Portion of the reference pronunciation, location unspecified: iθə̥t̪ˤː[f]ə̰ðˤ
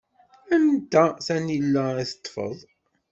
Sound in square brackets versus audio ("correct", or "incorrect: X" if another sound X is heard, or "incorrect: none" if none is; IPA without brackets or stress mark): correct